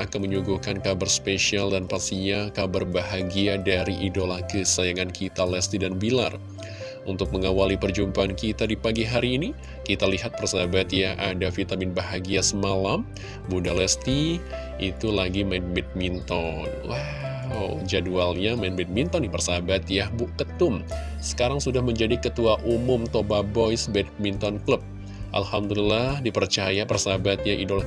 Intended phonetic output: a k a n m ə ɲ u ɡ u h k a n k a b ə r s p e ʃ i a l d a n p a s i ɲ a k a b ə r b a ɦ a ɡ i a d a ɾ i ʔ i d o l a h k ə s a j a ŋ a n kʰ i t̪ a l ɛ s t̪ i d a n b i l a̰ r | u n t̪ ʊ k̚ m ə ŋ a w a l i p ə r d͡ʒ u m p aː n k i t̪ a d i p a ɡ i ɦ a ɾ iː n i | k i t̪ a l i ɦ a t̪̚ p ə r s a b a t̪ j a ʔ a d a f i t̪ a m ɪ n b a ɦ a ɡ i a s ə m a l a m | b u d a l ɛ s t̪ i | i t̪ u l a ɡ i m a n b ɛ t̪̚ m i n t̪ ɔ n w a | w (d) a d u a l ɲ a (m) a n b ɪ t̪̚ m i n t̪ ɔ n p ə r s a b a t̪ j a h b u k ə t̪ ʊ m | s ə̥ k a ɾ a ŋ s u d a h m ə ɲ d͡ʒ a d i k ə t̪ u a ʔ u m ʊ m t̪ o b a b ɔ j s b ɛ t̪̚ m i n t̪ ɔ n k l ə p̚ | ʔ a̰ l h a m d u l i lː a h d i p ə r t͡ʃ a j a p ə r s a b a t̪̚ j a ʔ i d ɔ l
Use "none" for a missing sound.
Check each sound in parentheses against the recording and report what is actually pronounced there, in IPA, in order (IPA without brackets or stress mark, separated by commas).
d͡ʒ, m